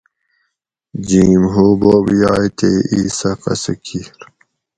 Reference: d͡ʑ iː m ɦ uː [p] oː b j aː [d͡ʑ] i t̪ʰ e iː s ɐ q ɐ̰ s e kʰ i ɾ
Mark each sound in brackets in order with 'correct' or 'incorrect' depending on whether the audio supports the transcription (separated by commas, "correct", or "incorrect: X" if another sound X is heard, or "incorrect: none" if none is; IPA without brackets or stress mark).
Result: incorrect: b, incorrect: none